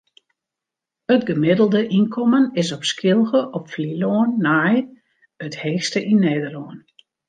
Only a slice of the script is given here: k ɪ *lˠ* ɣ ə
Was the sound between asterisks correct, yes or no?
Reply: yes